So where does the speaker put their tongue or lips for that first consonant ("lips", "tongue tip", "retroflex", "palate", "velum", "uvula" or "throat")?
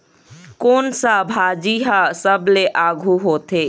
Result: velum